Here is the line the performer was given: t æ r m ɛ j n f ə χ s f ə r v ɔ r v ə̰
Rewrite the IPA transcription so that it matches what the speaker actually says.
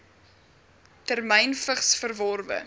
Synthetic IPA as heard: t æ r m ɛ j n f ə χ s f ə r v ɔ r v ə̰